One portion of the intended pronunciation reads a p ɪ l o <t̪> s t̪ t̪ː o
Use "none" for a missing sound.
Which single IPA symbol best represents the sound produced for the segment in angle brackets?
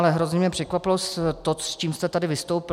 none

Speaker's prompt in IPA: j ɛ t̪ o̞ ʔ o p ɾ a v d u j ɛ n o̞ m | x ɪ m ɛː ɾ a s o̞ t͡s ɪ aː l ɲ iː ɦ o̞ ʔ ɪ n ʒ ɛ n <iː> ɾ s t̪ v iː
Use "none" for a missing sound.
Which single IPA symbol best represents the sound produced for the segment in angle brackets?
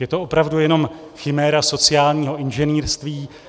iː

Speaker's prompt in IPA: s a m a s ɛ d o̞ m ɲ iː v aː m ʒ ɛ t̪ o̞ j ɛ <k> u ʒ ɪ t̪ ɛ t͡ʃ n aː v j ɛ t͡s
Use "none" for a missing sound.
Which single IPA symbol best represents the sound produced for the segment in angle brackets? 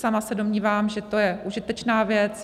ʔ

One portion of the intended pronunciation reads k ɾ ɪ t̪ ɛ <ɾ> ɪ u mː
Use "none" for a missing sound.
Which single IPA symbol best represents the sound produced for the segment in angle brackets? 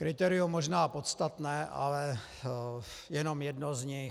ɾ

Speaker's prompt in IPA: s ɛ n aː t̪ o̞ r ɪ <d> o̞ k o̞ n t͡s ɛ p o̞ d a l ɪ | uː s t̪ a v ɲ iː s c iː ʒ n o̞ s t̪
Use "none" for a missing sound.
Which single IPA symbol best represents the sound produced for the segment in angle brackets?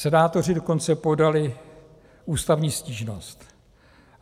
d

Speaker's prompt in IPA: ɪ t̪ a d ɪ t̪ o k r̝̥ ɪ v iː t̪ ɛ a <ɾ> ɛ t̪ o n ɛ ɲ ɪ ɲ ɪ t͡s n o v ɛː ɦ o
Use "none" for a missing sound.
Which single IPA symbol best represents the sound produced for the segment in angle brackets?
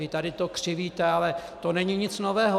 l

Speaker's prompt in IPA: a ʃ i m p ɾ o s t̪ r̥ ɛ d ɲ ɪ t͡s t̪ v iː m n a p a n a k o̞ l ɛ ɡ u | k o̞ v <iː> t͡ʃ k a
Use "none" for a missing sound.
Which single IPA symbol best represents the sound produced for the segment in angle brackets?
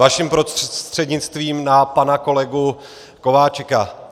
aː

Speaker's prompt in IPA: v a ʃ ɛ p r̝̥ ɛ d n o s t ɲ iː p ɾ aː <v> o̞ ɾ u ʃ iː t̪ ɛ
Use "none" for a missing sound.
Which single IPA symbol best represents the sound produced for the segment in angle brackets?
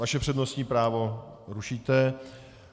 v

